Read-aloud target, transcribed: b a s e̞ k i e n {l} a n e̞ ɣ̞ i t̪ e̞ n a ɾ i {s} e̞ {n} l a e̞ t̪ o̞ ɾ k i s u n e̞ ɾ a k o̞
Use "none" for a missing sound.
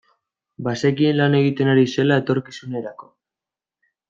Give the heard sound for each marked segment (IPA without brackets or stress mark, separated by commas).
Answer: l, s, none